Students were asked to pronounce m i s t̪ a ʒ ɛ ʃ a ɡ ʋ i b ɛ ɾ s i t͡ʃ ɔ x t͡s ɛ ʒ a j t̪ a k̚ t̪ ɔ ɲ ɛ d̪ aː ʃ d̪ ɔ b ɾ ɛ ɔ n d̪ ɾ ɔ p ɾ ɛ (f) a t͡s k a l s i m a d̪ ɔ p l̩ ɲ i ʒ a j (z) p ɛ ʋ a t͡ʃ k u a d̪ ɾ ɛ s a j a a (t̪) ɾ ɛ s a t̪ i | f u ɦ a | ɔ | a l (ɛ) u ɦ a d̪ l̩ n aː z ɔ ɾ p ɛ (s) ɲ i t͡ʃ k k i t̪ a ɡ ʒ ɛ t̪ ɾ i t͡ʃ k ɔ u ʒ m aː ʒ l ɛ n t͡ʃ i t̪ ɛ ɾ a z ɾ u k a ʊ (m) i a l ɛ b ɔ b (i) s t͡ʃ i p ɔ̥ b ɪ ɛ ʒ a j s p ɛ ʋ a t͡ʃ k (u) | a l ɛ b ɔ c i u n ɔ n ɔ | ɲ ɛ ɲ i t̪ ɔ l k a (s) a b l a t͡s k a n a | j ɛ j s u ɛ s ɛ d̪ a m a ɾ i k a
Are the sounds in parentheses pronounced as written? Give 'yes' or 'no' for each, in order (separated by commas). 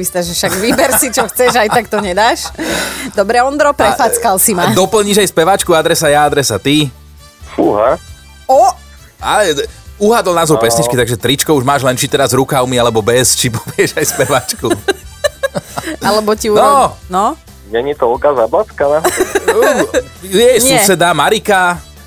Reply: yes, no, no, yes, yes, yes, no, yes, no